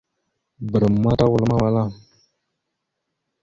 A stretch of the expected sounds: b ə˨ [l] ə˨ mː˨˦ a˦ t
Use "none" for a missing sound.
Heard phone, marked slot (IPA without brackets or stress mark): ɾ